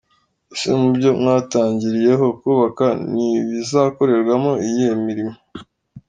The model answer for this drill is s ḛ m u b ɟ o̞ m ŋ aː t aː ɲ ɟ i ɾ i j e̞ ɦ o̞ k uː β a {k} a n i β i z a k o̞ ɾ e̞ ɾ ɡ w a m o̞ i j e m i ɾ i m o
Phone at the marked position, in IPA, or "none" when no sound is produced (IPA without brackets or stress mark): k